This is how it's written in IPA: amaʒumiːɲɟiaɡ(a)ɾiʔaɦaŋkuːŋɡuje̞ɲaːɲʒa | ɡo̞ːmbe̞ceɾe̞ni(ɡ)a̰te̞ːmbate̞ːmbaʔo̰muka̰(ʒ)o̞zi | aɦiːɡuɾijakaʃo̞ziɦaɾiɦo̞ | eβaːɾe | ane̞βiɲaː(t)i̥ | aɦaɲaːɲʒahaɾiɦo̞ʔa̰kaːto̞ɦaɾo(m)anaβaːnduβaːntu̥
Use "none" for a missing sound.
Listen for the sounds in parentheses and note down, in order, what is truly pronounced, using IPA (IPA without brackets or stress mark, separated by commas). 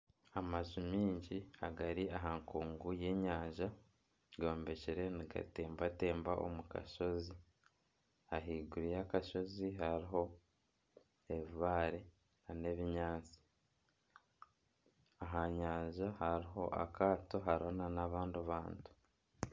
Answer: a, ɡ, ʃ, t͡s, n